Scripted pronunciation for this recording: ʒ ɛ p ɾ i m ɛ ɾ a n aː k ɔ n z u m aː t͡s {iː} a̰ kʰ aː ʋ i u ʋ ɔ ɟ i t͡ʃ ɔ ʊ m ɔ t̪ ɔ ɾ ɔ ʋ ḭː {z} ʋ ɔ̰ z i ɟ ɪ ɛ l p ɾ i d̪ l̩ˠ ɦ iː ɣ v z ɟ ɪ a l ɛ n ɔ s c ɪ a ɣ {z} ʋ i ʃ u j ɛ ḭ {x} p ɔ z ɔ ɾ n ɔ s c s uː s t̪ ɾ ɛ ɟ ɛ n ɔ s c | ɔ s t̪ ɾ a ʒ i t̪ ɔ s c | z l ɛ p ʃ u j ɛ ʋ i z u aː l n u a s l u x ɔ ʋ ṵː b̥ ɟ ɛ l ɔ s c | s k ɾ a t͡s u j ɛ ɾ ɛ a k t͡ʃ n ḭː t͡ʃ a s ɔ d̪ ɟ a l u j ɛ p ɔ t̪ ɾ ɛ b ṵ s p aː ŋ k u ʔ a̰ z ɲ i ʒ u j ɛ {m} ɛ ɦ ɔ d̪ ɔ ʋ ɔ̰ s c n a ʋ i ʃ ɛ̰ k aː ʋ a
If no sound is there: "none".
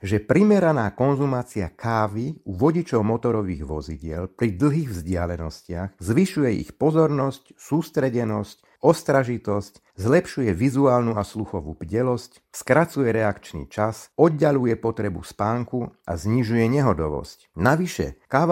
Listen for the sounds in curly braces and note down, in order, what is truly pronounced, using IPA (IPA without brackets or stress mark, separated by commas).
i, ɣ, z, x, ɲ